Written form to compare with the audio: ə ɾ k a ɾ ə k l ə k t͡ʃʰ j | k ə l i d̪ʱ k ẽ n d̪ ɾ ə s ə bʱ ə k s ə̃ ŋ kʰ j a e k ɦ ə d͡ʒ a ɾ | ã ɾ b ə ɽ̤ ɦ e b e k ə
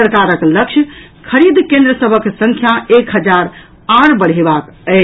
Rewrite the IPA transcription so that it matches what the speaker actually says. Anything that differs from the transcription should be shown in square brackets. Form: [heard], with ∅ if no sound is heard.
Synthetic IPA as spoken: ə ɾ k a ɾ ə k l ə k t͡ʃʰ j | [kʰ] ə [ɾ] i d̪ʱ k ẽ n d̪ ɾ ə s ə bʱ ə k s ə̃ ŋ kʰ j a e k ɦ ə d͡ʒ a ɾ | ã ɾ b ə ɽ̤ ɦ e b [a] k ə